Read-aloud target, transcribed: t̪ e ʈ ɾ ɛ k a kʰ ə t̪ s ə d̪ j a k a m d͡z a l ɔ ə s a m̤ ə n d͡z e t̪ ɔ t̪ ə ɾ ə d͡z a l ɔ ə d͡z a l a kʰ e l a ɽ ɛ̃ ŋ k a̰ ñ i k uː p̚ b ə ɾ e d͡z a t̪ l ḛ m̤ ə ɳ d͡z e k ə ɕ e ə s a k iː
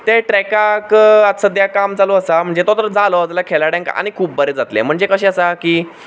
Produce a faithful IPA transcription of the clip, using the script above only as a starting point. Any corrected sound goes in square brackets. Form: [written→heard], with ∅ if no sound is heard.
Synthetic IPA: t̪ e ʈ ɾ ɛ k a [kʰ→k] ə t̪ s ə d̪ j a k a m d͡z a l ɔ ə s a m̤ ə [n→ɳ] d͡z e t̪ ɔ t̪ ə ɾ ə d͡z a l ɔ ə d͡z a l a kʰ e l a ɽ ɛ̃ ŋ k a̰ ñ i [k→kʰ] uː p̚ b ə ɾ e d͡z a t̪ l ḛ m̤ ə ɳ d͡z e k ə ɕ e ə s a k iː

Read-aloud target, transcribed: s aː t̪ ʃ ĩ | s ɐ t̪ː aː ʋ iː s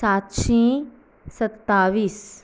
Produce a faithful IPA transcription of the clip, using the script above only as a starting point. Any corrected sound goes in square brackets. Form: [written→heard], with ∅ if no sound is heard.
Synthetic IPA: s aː t̪ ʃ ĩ | s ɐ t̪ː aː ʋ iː s

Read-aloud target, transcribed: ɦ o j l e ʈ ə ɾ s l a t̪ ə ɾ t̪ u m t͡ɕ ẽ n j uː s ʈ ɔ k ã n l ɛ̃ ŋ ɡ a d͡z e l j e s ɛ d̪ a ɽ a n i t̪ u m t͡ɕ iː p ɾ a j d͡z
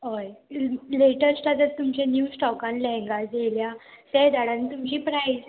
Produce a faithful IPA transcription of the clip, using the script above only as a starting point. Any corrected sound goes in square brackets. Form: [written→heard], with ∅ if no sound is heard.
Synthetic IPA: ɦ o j l e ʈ ə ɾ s l a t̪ ə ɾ t̪ u m t͡ɕ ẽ n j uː s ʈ ɔ k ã n l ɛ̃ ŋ ɡ a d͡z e l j [e→a] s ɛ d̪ a ɽ a n i t̪ u m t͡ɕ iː p ɾ a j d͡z

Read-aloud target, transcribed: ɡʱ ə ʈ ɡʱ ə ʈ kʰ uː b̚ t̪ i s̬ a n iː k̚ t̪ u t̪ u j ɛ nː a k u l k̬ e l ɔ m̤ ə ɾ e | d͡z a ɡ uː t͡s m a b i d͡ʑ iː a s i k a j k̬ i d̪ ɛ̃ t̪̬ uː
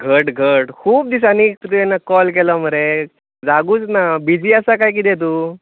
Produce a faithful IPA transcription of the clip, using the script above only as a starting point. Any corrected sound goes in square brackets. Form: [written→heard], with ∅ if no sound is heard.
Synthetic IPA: ɡʱ ə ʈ ɡʱ ə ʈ kʰ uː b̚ [t̪→d̪] i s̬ a n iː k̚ t̪ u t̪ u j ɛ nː a k [u→ɔ] l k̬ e l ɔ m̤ ə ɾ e | d͡z a ɡ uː t͡s [m→n] a b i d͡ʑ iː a s [i→a] k a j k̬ i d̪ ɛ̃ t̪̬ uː

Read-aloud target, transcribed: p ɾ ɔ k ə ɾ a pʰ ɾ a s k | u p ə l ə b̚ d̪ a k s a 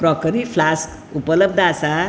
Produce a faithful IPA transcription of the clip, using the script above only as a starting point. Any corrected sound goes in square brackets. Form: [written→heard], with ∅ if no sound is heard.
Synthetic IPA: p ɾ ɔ k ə ɾ [a→i] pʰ [ɾ→l] a s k | u p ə l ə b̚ d̪ a [k→∅] s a

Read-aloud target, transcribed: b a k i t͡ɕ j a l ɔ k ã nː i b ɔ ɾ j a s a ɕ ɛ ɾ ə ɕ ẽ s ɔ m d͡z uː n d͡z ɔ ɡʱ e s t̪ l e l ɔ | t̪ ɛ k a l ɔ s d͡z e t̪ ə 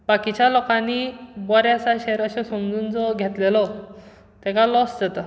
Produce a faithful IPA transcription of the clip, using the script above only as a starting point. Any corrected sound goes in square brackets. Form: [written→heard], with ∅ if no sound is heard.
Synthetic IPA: b a k i t͡ɕ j a l ɔ k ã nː i b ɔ ɾ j a s a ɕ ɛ ɾ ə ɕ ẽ s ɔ m d͡z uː n d͡z ɔ ɡʱ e [s→∅] t̪ l e l ɔ | t̪ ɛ k a l ɔ s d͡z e t̪ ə

